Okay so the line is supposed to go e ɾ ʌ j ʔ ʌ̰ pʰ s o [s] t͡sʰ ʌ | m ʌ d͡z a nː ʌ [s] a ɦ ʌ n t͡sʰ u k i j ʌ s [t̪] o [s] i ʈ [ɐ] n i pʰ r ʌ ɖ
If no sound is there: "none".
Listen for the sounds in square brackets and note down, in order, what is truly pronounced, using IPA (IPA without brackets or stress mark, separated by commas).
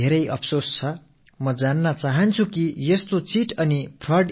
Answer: s, t͡s, t̪, t͡s, ʌ